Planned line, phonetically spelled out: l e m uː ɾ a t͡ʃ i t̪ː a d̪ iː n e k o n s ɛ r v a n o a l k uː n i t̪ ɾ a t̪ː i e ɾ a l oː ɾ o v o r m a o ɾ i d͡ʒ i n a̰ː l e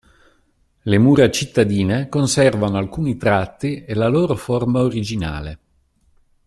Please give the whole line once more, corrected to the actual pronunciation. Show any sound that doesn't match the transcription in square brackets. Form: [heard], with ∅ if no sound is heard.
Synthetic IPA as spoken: l e m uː ɾ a t͡ʃ i t̪ː a d̪ iː n e k o n s ɛ r v a n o a l k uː n i t̪ ɾ a t̪ː i e [l] a l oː ɾ o [f] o r m a o ɾ i d͡ʒ i n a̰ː l e